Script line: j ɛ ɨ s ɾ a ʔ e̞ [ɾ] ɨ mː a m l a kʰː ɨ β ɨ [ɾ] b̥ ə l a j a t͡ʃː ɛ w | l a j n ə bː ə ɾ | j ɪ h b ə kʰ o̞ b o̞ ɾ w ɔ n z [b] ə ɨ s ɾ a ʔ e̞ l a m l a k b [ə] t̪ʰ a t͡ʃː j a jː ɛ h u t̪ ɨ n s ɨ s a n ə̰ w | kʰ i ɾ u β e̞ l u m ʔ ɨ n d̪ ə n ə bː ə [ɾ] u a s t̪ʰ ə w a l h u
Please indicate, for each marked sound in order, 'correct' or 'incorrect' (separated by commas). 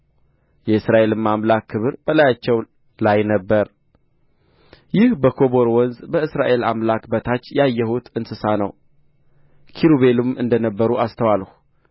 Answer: incorrect, correct, correct, correct, correct